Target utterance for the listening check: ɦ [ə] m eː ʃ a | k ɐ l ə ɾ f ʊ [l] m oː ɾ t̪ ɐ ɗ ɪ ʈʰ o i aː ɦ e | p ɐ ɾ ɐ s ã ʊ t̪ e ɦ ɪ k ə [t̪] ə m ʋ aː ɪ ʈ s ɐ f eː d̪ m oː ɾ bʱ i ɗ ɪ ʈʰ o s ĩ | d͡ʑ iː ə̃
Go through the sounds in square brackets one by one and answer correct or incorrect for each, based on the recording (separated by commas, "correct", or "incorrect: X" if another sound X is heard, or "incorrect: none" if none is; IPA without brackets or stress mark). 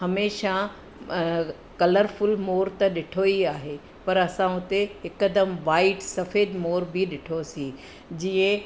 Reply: incorrect: ɐ, correct, incorrect: d̪